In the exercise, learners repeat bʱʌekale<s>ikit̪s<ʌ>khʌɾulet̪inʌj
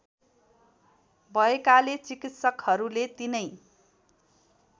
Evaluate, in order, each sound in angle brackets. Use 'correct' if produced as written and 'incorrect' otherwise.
incorrect, correct

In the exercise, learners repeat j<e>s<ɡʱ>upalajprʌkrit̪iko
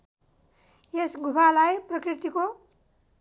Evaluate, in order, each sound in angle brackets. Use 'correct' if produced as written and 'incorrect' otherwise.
correct, correct

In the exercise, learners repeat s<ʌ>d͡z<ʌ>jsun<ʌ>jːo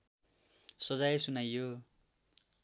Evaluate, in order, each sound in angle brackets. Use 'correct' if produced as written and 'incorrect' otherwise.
correct, incorrect, incorrect

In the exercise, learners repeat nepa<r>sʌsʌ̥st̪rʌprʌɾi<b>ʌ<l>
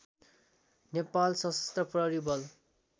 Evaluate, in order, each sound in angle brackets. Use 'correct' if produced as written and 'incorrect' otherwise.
incorrect, correct, correct

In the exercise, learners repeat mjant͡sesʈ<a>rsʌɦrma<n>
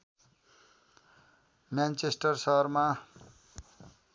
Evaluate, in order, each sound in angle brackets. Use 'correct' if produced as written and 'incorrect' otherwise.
incorrect, incorrect

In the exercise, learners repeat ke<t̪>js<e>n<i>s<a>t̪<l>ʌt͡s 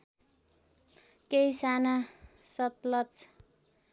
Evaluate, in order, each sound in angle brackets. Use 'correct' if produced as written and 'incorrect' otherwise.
incorrect, incorrect, incorrect, incorrect, correct

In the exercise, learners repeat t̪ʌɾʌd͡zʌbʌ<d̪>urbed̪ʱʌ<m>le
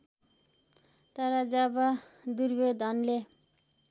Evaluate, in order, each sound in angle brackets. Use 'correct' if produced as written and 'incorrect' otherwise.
correct, incorrect

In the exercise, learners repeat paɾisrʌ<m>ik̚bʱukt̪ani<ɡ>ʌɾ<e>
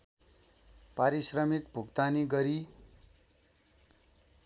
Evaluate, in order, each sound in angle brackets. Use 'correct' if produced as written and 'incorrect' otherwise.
correct, correct, incorrect

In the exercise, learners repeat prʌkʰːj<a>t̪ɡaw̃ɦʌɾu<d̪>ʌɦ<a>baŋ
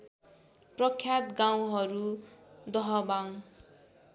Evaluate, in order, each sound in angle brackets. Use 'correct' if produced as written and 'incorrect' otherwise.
correct, correct, incorrect

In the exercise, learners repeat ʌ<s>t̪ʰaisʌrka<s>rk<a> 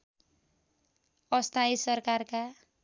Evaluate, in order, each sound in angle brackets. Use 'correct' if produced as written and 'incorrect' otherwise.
correct, incorrect, correct

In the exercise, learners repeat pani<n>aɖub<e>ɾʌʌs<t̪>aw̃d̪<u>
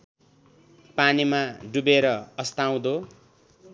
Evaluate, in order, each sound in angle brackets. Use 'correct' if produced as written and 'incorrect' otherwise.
incorrect, correct, correct, incorrect

